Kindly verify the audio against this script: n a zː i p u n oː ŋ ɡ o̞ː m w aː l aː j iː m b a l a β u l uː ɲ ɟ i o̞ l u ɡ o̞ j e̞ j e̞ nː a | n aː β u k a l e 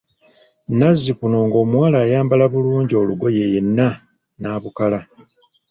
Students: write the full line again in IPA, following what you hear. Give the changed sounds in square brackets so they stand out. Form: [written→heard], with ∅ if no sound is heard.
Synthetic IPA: n a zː i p u n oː ŋ ɡ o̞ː m w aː l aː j [iː→aː] m b a l a β u l uː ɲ ɟ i o̞ l u ɡ o̞ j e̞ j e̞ nː a | n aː β u k a l [e→a]